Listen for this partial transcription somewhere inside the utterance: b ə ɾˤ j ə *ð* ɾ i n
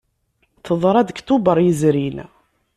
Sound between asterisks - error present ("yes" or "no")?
yes